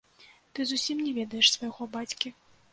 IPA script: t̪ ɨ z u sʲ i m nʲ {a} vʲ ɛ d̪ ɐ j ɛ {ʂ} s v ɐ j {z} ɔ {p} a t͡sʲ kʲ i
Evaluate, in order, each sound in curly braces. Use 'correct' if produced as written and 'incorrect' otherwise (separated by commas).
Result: incorrect, correct, incorrect, incorrect